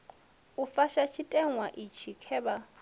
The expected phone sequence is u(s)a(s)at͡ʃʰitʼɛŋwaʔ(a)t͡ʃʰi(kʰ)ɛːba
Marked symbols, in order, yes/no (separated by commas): no, no, no, yes